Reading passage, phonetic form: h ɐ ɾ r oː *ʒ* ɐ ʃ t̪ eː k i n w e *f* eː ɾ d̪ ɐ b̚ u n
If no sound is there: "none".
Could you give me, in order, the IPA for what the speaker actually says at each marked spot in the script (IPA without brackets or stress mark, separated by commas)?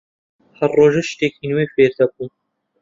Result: ʒ, f